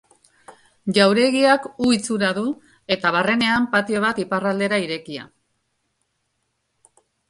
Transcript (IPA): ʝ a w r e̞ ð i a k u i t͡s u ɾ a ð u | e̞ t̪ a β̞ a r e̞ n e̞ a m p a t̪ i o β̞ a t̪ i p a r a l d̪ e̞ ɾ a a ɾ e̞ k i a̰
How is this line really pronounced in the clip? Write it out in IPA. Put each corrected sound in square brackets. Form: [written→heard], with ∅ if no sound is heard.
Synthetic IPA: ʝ a w [r→ɾ] e̞ [ð→ɣ] i a k u i t͡s u ɾ a ð u | e̞ t̪ a β̞ a r e̞ n e̞ a m p a t̪ i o β̞ a t̪ i p a r a l d̪ e̞ ɾ a [a→i] ɾ e̞ k i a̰